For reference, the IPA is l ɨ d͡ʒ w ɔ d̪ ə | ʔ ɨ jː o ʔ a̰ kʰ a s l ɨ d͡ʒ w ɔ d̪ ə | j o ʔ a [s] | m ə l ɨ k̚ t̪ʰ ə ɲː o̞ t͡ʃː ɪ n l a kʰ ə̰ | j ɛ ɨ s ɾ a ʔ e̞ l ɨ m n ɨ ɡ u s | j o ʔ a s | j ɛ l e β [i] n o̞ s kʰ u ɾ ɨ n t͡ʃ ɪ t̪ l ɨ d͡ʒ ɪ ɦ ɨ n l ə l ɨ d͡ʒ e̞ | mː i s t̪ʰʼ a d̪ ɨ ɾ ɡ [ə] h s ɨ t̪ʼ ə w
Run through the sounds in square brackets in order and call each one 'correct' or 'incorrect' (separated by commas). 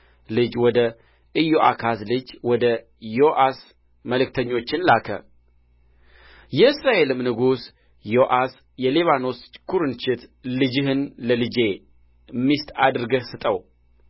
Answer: correct, incorrect, correct